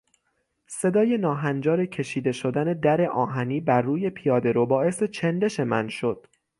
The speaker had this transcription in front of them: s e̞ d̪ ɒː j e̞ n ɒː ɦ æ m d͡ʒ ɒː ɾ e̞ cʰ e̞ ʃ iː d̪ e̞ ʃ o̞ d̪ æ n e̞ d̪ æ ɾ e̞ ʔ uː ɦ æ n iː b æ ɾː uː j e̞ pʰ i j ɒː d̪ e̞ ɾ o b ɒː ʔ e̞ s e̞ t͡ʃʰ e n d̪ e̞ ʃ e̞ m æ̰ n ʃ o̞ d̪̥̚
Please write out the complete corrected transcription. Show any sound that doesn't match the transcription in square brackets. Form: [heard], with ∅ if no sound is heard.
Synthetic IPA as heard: s e̞ d̪ ɒː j e̞ n ɒː ɦ æ [n] d͡ʒ ɒː ɾ e̞ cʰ e̞ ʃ iː d̪ e̞ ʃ o̞ d̪ æ n e̞ d̪ æ ɾ e̞ ʔ [ɒː] ɦ æ n iː b æ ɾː uː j e̞ pʰ i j ɒː d̪ e̞ ɾ o b ɒː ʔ e̞ s e̞ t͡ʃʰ e n d̪ e̞ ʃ e̞ m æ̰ n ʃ o̞ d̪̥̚